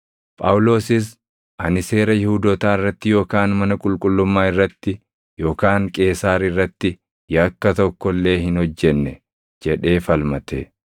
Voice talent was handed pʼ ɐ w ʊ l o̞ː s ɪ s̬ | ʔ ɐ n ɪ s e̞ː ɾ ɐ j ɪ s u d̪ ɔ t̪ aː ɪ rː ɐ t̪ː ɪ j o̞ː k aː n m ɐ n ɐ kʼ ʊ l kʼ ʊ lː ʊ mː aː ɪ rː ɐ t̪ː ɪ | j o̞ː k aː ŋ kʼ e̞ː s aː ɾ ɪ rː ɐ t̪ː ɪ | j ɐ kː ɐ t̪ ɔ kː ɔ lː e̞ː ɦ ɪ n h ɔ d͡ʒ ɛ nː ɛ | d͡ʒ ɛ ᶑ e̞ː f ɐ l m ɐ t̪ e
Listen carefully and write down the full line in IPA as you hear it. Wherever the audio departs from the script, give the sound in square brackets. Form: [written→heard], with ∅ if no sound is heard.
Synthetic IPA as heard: pʼ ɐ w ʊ l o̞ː s ɪ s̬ | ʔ ɐ n ɪ s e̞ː ɾ ɐ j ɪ [s→h] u d̪ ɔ t̪ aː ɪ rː ɐ t̪ː ɪ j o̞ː k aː n m ɐ n ɐ kʼ ʊ l kʼ ʊ lː ʊ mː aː ɪ rː ɐ t̪ː ɪ | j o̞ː k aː ŋ kʼ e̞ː s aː ɾ ɪ rː ɐ t̪ː ɪ | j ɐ kː ɐ t̪ ɔ kː ɔ lː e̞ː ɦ ɪ n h ɔ [d͡ʒ→d͡ʒː] ɛ nː ɛ | d͡ʒ ɛ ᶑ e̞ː f ɐ l m ɐ t̪ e